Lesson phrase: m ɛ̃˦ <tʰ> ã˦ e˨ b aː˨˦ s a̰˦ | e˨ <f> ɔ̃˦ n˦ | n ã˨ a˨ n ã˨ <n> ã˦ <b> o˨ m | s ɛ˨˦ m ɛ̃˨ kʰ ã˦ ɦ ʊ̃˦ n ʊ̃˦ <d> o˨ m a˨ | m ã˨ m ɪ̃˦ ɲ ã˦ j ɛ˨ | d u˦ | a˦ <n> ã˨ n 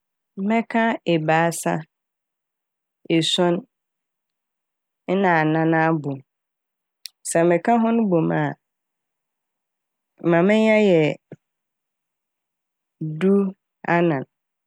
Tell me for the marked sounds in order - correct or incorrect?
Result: incorrect: kʰ, incorrect: s, correct, correct, incorrect: b, correct

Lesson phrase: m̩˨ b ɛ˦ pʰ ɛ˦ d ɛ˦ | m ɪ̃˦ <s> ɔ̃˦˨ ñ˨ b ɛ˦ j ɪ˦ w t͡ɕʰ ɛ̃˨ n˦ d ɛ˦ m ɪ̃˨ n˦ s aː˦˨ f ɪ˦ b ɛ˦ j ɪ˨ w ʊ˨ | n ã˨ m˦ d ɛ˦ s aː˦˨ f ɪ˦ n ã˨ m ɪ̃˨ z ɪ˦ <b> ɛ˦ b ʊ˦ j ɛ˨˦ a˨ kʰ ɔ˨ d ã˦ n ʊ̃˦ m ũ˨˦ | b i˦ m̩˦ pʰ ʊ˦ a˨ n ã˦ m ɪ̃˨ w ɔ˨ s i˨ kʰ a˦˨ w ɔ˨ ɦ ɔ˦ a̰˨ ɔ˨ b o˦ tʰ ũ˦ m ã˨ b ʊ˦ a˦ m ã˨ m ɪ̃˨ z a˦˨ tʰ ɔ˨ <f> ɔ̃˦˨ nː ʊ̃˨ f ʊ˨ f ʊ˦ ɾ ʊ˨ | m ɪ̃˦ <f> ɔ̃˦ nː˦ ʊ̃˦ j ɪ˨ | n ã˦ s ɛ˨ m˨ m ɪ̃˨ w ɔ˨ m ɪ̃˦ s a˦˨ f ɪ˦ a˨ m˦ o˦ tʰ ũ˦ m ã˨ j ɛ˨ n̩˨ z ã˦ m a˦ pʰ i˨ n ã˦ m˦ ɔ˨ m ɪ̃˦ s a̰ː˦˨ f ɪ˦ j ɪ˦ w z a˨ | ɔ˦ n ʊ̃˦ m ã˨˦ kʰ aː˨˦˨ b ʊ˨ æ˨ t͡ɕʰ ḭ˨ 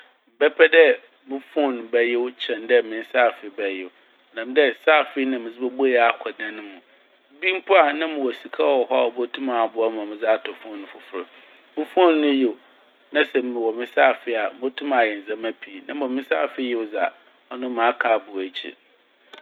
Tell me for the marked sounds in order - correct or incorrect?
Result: incorrect: f, correct, correct, correct

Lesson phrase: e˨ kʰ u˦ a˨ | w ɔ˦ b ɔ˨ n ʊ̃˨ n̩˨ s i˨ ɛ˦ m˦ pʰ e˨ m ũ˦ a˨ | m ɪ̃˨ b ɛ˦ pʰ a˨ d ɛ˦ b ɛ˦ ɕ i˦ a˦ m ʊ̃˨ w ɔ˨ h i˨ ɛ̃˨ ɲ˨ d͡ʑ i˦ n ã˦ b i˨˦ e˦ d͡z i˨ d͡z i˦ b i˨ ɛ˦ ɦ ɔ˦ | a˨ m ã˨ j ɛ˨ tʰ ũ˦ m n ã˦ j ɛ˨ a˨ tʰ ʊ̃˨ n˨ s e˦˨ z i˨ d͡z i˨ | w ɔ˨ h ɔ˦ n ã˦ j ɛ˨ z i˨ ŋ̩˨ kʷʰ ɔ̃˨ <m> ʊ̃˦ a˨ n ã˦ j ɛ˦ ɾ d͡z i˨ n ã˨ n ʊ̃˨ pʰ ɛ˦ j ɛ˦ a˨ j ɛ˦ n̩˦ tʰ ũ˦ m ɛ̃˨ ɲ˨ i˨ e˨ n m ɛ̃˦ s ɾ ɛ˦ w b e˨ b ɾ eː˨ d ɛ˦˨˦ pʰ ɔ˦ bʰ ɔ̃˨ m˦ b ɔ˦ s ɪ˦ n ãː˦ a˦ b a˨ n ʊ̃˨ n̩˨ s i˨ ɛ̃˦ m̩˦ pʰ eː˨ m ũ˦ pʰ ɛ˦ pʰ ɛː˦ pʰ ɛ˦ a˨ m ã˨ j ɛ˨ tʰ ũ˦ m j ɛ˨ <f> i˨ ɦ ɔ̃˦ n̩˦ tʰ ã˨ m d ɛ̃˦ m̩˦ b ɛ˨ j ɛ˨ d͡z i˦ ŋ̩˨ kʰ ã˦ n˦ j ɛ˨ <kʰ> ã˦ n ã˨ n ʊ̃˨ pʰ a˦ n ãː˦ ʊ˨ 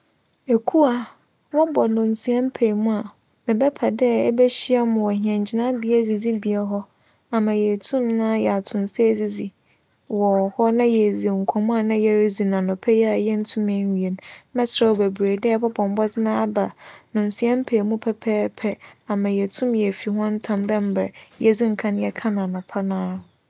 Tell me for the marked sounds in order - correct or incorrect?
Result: correct, correct, correct

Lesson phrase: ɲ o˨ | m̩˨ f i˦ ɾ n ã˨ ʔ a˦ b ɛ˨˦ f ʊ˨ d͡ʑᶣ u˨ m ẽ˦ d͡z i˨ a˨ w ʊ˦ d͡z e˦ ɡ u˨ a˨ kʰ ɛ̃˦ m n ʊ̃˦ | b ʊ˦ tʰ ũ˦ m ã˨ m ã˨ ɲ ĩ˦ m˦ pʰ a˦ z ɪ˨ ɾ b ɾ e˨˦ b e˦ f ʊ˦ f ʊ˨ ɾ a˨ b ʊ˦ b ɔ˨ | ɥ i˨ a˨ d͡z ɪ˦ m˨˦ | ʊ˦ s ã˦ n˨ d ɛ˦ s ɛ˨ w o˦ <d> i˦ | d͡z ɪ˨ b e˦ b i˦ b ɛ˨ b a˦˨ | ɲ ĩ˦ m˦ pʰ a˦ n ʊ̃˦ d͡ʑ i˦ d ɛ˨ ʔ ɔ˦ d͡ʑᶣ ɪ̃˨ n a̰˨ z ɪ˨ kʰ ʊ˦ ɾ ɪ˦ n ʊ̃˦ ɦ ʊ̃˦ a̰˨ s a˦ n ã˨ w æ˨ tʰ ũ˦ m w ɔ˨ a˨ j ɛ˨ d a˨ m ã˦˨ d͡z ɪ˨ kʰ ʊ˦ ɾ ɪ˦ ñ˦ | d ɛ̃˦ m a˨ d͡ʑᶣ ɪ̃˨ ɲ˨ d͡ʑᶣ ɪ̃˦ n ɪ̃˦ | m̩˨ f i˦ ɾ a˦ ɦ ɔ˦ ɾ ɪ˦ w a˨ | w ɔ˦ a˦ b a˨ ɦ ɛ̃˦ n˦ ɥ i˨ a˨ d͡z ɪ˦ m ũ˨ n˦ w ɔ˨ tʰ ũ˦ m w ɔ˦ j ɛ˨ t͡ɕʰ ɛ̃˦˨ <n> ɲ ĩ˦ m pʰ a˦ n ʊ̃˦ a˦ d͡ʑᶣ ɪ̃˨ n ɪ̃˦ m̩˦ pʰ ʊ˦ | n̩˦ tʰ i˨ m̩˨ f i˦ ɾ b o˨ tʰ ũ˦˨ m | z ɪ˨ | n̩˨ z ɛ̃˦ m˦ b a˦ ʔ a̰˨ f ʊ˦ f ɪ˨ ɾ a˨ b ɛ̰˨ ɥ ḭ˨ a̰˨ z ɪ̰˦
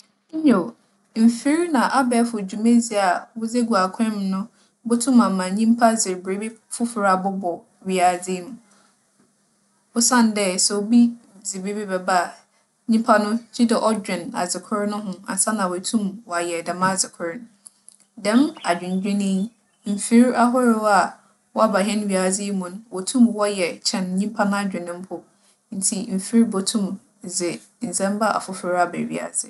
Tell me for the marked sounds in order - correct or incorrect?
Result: incorrect: b, correct

